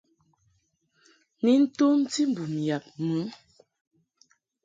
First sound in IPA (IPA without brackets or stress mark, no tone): n